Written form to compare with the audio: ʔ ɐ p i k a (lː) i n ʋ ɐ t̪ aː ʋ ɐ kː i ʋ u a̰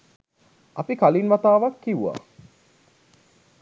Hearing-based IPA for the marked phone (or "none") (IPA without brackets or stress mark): l